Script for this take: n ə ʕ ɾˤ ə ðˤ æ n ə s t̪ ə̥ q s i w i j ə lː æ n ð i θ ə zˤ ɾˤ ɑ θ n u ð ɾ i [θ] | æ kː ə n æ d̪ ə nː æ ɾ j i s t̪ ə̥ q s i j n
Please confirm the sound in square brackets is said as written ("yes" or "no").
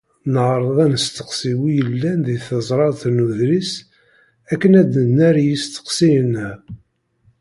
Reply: no